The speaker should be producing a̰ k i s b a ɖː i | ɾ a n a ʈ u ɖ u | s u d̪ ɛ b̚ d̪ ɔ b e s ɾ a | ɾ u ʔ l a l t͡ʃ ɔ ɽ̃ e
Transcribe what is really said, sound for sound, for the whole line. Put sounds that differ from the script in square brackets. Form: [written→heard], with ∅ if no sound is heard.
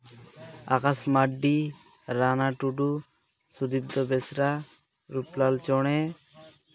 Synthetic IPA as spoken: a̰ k [i→a] s [b→m] a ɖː i | ɾ a n a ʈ u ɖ u | s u d̪ [ɛ→i] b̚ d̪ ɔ b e s ɾ a | ɾ u [ʔ→p] l a l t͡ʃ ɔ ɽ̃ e

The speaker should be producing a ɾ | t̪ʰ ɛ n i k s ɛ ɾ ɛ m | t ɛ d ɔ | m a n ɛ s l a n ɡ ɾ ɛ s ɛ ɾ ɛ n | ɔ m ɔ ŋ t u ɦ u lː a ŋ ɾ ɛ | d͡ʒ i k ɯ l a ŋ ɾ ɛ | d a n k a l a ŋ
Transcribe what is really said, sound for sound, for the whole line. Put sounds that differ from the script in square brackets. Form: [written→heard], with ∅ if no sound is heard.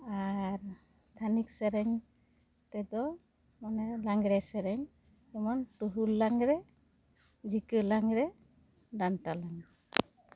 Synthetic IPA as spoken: a ɾ | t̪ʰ [ɛ→a] n i k s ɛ ɾ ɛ [m→ŋ] | t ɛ d ɔ | m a n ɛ [s→∅] l a [n→ŋ] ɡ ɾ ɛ s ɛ ɾ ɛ [n→ŋ] | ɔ m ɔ [ŋ→n] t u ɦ u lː a ŋ ɾ ɛ | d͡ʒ i k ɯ l a ŋ ɾ ɛ | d a n [k→t] a l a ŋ

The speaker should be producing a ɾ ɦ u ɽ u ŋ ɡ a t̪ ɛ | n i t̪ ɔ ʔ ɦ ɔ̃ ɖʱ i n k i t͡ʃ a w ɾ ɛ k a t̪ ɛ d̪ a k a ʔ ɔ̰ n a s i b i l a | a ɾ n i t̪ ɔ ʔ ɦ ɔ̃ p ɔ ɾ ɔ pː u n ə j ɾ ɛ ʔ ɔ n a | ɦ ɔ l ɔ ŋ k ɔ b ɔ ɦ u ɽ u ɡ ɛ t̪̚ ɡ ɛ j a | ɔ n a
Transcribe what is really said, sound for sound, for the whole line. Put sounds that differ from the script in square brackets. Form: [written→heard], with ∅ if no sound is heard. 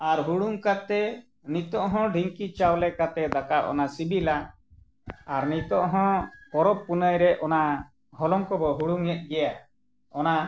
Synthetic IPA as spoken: a ɾ ɦ u ɽ u ŋ [ɡ→k] a t̪ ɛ | n i t̪ ɔ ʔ ɦ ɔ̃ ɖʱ i [n→ŋ] k i t͡ʃ a w [ɾ→l] ɛ k a t̪ ɛ d̪ a k a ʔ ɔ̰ n a s i b i l a | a ɾ n i t̪ ɔ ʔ ɦ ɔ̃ [p→k] ɔ ɾ ɔ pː u n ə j ɾ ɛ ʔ ɔ n a | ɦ ɔ l ɔ ŋ k ɔ b ɔ ɦ u ɽ u [ɡ→ŋ] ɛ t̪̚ ɡ ɛ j a | ɔ n a

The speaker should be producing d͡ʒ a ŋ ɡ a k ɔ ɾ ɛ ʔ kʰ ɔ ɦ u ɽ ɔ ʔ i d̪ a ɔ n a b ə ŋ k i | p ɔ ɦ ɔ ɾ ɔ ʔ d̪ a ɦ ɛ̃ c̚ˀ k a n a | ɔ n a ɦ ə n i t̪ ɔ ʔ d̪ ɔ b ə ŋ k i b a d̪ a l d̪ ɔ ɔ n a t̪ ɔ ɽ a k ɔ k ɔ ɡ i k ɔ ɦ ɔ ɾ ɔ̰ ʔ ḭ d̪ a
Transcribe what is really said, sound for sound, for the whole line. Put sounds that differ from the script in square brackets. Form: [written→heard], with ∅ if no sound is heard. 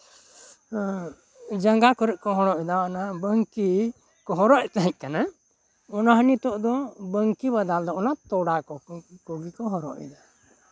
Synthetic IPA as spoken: d͡ʒ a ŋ ɡ a k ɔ ɾ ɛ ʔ [kʰ→k] ɔ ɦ [u→ɔ] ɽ ɔ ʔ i d̪ a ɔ n a b ə ŋ k i | [p→k] ɔ ɦ ɔ ɾ ɔ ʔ [d̪→t̪] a ɦ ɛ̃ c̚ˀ k a n a | ɔ n a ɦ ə n i t̪ ɔ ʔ d̪ ɔ b ə ŋ k i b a d̪ a l d̪ ɔ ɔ n a t̪ ɔ ɽ a k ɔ k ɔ ɡ i k ɔ ɦ ɔ ɾ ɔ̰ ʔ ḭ d̪ a

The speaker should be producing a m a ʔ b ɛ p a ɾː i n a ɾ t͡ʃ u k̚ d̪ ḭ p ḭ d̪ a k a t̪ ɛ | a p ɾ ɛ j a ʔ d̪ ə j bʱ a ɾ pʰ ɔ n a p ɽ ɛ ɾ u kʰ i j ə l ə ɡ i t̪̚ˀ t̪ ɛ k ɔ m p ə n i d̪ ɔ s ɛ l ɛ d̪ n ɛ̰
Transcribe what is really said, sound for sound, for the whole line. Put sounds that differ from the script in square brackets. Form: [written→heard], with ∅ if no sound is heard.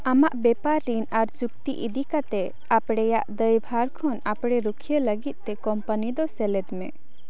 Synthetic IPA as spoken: a m a ʔ b ɛ p a ɾː i n a ɾ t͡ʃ u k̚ [d̪→t̪] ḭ [p→ʔ] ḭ d̪ [a→i] k a t̪ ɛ | a p [ɾ→ɽ] ɛ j a ʔ d̪ ə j bʱ a ɾ [pʰ→kʰ] ɔ n a p ɽ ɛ ɾ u kʰ i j ə l ə ɡ i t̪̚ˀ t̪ ɛ k ɔ m p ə n i d̪ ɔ s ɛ l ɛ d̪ [n→m] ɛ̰

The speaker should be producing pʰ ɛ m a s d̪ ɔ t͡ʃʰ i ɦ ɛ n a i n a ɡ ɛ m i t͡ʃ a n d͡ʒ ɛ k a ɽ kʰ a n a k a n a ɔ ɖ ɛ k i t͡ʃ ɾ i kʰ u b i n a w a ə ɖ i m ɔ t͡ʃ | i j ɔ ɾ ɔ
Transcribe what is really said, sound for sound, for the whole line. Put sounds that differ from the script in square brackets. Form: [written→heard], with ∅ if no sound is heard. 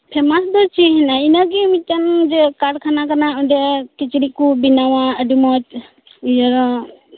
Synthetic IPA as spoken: pʰ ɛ m a s d̪ ɔ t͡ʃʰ i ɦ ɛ n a i n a ɡ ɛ m i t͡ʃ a n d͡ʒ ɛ k a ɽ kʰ a n a k a n a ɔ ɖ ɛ k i t͡ʃ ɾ i [kʰ→k] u b i n a w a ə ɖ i m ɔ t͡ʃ | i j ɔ ɾ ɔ

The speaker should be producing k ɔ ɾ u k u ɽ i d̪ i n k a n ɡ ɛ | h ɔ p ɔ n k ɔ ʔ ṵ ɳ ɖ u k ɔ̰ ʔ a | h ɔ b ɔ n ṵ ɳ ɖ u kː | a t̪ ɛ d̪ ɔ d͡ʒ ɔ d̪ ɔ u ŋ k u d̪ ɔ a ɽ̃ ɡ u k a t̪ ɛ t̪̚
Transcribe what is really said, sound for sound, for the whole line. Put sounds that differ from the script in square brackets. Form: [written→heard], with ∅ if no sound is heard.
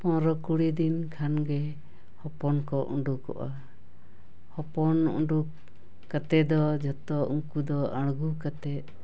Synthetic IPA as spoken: [k→p] ɔ ɾ [u→ɔ] k u ɽ i d̪ i n [k→kʰ] a n ɡ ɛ | h ɔ p ɔ n k ɔ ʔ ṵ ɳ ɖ u k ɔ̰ ʔ a | h ɔ [b→p] ɔ n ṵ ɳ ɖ u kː | a t̪ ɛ d̪ ɔ d͡ʒ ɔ [d̪→t̪] ɔ u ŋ k u d̪ ɔ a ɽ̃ ɡ u k a t̪ ɛ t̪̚

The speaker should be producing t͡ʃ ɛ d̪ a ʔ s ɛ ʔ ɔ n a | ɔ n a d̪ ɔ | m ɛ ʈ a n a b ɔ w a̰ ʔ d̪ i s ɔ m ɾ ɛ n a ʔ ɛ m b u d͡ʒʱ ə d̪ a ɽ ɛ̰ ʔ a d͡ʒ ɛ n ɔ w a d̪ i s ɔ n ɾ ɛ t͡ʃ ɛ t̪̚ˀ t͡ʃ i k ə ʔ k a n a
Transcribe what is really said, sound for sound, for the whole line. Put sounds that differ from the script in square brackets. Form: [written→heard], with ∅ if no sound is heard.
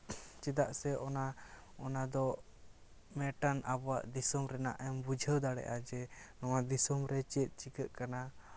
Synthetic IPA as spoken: t͡ʃ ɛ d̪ a ʔ s ɛ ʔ ɔ n a | ɔ n a d̪ ɔ | m ɛ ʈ a n a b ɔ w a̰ ʔ d̪ i s ɔ m ɾ ɛ n a ʔ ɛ m b u d͡ʒʱ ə d̪ a ɽ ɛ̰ ʔ a d͡ʒ ɛ n ɔ w a d̪ i s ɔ [n→m] ɾ ɛ t͡ʃ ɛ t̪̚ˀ t͡ʃ i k ə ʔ k a n a

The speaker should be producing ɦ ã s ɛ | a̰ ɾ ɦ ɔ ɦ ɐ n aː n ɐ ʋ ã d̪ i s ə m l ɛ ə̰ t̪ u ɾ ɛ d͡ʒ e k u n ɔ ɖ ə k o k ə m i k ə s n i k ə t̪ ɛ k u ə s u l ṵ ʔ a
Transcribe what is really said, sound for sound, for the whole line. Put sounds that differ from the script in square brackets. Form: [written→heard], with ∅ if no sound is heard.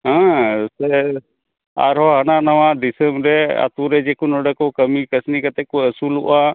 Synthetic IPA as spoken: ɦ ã s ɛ | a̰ ɾ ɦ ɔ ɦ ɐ n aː n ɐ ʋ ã d̪ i s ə m [l→ɾ] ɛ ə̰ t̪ u ɾ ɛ d͡ʒ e k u n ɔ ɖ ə k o k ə m i k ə s n i k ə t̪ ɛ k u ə s u l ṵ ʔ a

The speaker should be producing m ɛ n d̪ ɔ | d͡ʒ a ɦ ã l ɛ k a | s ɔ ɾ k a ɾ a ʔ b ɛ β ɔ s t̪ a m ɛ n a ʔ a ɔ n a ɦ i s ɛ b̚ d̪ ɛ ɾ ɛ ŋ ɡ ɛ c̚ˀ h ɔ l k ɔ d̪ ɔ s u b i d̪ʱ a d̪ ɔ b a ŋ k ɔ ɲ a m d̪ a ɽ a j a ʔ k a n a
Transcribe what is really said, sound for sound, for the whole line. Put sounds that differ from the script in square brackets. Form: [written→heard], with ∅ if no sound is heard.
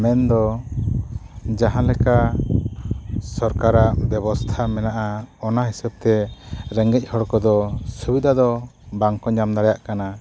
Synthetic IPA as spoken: m ɛ n d̪ ɔ | d͡ʒ a ɦ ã l ɛ k a | s ɔ ɾ k a ɾ a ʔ b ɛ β ɔ s [t̪→t̪ʰ] a m ɛ n a ʔ a ɔ n a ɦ i s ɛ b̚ [d̪→t̪] ɛ ɾ ɛ ŋ ɡ ɛ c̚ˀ h ɔ [l→ɽ] k ɔ d̪ ɔ s u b i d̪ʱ a d̪ ɔ b a ŋ k ɔ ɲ a m d̪ a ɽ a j a ʔ k a n a

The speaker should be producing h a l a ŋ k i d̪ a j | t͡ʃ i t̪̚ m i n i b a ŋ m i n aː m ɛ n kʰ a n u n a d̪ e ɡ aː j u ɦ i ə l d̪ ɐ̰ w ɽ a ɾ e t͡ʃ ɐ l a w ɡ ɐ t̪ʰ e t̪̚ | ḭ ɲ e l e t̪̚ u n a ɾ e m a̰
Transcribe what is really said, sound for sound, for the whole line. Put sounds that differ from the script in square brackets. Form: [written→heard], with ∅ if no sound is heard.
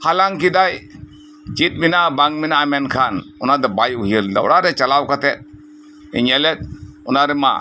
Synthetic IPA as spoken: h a l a ŋ k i d̪ a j | t͡ʃ i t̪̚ m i n [i→a] b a ŋ m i n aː m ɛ n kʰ a n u n a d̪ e [ɡ→b] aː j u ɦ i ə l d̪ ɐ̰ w ɽ a ɾ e t͡ʃ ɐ l a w [ɡ→k] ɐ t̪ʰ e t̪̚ | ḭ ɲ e l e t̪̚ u n a ɾ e m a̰

